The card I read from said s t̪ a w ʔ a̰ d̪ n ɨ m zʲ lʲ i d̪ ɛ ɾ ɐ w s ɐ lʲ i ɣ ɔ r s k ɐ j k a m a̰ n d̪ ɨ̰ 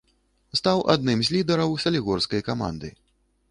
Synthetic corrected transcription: s t̪ a w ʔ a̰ d̪ n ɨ m zʲ lʲ i d̪ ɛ ɾ ɐ w s ɐ lʲ i ɣ ɔ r s k ɐ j k a m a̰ n d̪ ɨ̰